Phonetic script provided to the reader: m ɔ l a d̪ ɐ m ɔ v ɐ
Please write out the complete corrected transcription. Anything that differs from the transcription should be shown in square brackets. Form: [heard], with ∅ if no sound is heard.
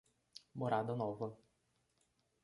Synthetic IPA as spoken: m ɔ [ɾ] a d̪ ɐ [n] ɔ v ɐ